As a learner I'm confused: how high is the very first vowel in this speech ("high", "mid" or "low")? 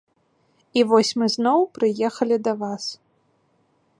high